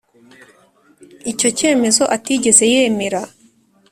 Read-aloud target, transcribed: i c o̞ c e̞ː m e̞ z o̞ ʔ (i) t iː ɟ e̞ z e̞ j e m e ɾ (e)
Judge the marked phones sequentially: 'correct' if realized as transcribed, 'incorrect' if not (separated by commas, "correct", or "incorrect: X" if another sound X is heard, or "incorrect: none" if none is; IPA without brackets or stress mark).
incorrect: a, incorrect: a